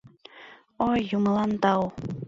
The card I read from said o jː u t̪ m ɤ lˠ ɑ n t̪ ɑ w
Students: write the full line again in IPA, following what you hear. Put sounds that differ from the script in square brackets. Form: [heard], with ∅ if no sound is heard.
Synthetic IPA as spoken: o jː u [∅] m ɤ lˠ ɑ n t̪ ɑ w